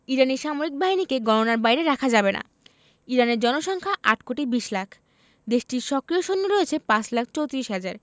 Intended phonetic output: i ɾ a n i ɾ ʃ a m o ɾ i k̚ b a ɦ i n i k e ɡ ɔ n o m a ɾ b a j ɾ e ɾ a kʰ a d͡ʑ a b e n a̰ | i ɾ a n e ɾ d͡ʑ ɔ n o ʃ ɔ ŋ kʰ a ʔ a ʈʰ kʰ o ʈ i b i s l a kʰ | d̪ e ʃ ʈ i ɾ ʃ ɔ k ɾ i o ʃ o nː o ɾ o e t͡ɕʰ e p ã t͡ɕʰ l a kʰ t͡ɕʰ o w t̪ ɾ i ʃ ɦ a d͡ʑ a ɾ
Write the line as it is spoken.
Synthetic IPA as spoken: i ɾ a n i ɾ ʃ a m o ɾ i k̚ b a ɦ i n i k e ɡ ɔ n o n a ɾ b a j ɾ e ɾ a kʰ a d͡ʑ a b e n a̰ | i ɾ a n e ɾ d͡ʑ ɔ n o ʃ ɔ ŋ kʰ a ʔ a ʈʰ k o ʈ i b i ʃ l a kʰ | d̪ e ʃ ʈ i ɾ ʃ ɔ k ɾ i o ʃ o nː o ɾ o e t͡ɕʰ e p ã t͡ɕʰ l a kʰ t͡ɕ o w t̪ ɾ i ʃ ɦ a d͡ʑ a ɾ